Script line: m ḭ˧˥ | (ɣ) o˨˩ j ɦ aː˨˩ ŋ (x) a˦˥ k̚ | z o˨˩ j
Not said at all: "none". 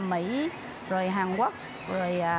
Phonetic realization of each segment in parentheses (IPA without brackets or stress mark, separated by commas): z, k